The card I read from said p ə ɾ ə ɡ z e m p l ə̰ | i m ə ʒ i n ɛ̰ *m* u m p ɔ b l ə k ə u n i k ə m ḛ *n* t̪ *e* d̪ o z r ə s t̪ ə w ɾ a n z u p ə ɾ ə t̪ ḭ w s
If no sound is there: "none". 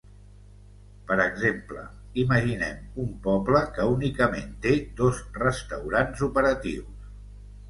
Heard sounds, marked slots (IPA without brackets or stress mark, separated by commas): m, n, e